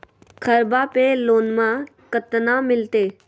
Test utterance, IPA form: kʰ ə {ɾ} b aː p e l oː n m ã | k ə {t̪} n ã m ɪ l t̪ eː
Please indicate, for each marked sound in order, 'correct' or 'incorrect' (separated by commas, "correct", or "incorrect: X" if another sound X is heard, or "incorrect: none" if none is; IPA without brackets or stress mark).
correct, correct